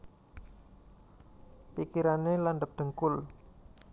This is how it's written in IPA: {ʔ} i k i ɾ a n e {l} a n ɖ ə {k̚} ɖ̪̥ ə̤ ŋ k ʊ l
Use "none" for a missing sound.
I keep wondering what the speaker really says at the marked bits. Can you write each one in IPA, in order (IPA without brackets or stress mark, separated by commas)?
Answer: p, l, p̚